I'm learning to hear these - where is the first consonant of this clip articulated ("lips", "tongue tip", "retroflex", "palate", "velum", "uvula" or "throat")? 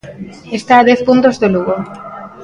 tongue tip